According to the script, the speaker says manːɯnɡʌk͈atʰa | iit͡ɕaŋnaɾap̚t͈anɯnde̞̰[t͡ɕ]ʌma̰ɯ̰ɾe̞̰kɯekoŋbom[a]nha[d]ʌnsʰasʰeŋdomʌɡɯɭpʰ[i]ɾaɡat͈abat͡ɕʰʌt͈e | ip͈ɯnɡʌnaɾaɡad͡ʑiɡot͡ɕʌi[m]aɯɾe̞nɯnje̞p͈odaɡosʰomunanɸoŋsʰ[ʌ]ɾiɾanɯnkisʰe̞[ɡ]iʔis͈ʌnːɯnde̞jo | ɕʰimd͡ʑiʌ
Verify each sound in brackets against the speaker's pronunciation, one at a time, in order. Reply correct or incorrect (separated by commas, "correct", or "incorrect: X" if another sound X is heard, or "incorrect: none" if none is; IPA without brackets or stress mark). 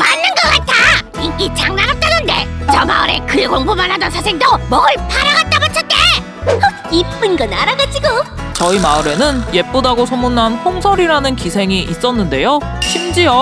correct, correct, correct, incorrect: a, correct, correct, incorrect: ŋ